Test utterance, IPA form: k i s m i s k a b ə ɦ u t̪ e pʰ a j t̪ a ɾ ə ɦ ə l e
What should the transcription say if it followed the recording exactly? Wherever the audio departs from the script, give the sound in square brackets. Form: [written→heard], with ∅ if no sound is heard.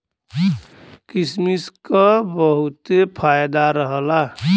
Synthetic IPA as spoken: k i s m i s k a b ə ɦ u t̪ e pʰ a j [t̪→d̪] a ɾ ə ɦ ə l [e→a]